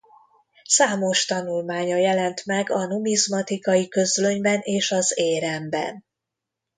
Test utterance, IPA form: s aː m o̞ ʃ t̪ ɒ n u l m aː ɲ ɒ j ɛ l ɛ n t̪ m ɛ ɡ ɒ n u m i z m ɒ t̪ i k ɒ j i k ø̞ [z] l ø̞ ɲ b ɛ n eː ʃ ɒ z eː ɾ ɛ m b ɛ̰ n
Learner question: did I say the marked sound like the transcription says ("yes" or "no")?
yes